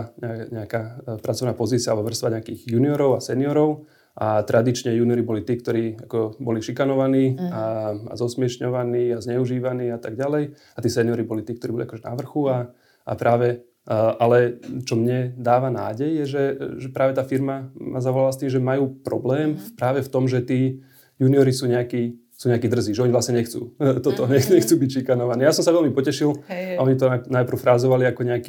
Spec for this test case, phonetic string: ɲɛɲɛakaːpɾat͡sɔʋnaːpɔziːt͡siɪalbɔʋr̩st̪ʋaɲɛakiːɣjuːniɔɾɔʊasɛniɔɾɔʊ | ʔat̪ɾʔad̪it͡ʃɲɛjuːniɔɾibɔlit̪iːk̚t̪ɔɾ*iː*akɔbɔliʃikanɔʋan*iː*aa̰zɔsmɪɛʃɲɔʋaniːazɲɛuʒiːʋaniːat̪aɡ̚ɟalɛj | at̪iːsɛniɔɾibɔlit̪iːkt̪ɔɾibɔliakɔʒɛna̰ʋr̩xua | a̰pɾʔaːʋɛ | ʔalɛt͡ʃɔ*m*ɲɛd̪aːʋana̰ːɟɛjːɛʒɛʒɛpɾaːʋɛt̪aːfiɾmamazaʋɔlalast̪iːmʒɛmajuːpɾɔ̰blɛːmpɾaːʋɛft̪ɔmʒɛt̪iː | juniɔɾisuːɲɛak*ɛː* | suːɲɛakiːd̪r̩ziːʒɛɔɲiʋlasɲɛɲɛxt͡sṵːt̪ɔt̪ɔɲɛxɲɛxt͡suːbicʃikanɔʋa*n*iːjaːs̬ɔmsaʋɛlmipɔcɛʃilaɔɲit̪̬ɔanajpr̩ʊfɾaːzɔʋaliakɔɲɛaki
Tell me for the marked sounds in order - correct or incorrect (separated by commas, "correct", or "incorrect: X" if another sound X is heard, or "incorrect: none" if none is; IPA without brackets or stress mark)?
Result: correct, correct, correct, incorrect: iː, correct